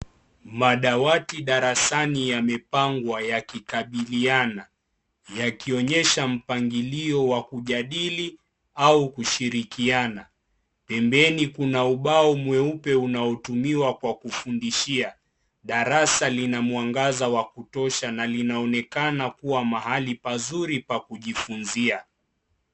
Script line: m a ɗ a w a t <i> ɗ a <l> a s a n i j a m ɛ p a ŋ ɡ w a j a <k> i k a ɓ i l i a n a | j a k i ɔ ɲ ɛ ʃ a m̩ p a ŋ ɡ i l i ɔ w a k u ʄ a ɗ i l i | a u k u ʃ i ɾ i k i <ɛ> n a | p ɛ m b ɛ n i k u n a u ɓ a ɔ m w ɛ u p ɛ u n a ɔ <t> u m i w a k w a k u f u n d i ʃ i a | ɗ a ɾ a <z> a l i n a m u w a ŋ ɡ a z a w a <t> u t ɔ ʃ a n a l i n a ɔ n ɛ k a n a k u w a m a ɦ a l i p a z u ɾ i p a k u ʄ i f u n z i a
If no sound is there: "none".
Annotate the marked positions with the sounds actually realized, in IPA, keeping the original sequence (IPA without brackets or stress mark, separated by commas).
i, ɾ, k, a, t, s, k